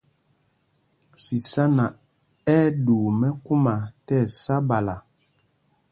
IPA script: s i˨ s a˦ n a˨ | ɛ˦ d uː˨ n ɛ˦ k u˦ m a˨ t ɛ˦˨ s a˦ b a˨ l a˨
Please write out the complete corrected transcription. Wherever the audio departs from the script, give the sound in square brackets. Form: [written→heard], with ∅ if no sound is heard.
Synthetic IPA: s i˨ s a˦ n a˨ | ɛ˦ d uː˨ [n→m] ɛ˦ k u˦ m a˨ t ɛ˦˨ s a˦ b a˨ l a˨